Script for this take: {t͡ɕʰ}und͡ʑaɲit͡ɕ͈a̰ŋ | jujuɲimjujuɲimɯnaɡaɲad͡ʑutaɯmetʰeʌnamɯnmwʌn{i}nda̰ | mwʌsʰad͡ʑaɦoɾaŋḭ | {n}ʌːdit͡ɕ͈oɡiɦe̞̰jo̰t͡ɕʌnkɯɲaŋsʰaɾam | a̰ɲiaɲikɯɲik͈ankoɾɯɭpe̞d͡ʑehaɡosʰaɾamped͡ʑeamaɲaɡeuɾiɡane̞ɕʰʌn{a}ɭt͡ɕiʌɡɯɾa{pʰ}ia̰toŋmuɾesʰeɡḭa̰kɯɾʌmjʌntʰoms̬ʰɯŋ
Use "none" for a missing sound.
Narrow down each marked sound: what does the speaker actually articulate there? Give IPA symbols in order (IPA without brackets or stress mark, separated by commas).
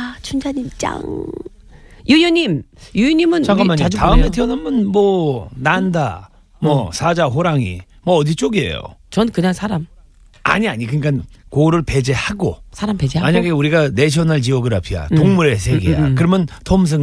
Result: t͡ɕʰ, a, m, a, pʰ